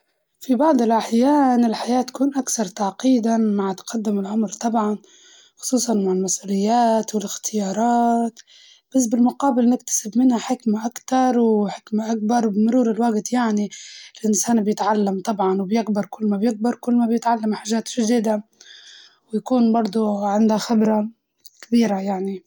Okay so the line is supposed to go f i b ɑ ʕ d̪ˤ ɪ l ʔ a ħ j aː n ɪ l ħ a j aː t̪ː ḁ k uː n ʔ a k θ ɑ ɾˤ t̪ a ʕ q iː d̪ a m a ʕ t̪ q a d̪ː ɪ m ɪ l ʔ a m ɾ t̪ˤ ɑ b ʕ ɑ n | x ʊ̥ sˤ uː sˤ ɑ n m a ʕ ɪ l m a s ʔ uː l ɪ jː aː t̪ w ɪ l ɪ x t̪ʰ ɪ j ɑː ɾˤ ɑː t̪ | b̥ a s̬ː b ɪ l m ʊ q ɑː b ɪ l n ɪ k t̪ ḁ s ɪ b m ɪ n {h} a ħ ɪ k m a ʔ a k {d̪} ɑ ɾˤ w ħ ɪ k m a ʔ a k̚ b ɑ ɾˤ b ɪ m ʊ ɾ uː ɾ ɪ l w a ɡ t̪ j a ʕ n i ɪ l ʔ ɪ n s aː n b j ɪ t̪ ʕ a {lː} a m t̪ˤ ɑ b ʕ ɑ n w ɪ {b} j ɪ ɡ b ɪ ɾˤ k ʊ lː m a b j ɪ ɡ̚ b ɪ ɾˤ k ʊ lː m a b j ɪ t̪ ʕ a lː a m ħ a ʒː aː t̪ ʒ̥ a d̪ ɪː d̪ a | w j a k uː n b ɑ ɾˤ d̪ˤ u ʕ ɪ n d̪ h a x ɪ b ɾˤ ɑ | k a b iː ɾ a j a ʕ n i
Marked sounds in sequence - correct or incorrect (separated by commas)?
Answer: correct, incorrect, correct, correct